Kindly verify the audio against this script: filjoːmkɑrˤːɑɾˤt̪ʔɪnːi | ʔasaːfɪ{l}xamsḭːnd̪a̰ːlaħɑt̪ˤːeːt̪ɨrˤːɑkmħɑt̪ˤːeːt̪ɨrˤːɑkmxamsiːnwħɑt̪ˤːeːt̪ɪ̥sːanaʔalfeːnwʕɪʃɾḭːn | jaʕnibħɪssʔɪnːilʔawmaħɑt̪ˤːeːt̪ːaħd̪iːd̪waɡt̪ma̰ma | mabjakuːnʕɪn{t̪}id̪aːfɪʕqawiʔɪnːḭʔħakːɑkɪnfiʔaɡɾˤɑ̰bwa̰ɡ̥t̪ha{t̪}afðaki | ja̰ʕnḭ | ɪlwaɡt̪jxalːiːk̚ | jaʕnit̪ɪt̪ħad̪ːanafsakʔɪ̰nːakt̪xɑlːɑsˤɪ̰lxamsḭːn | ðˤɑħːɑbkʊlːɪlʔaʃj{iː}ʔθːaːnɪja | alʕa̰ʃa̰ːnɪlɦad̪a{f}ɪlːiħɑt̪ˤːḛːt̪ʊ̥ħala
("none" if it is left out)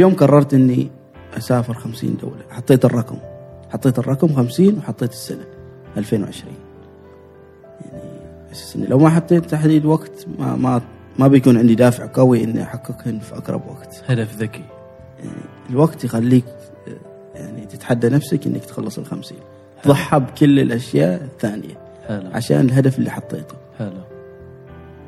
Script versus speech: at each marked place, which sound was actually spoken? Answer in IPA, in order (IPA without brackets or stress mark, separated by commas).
ɾ, d̪, d̪, aː, f